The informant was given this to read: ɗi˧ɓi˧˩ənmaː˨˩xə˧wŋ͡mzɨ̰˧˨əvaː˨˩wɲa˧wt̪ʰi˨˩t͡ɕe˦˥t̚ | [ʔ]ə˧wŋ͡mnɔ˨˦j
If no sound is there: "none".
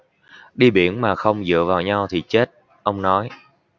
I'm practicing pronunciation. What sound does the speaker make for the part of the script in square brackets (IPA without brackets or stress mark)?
ʔ